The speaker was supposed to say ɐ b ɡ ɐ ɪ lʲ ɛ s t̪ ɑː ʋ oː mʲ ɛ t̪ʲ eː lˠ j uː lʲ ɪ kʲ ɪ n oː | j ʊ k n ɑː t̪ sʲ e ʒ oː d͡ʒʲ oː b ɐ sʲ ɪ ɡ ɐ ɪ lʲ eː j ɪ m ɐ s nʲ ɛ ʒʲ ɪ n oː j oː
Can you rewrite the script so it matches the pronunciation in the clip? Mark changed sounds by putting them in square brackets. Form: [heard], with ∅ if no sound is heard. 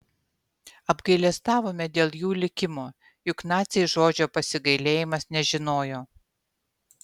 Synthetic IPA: ɐ b ɡ ɐ ɪ lʲ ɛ s t̪ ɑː ʋ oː mʲ ɛ [d̪ʲ] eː lˠ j uː lʲ ɪ kʲ ɪ [m] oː | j ʊ k n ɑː t̪ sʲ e ʒ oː d͡ʒʲ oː [p] ɐ sʲ ɪ ɡ ɐ ɪ lʲ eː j ɪ m ɐ s nʲ ɛ ʒʲ ɪ n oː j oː